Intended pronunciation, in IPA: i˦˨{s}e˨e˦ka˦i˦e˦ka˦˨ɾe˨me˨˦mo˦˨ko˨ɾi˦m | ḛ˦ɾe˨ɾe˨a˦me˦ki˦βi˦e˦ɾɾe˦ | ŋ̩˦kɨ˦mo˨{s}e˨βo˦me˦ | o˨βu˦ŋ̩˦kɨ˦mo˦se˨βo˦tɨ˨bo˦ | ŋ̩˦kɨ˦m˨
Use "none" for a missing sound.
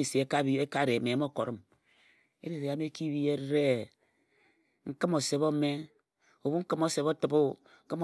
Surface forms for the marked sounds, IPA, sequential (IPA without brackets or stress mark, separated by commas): s, s